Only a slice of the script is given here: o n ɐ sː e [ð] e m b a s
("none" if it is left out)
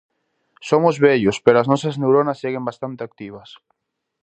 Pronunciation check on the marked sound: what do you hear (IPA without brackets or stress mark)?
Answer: ɣ